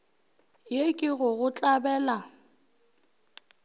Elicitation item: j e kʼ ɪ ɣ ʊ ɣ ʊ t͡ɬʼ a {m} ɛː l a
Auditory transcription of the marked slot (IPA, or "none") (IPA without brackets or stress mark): b